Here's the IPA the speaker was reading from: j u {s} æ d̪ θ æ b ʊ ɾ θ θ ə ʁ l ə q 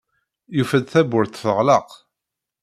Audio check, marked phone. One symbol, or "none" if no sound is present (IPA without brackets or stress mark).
f